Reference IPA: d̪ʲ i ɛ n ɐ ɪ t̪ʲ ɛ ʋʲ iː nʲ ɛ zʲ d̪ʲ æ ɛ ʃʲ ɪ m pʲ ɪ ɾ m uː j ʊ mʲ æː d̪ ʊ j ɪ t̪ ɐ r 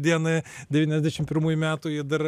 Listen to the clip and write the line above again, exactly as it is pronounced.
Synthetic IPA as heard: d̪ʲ i ɛ n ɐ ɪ d̪ʲ ɛ ʋʲ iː nʲ ɛ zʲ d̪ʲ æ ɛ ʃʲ ɪ m pʲ ɪ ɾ m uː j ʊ mʲ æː t̪ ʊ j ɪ d̪ ɐ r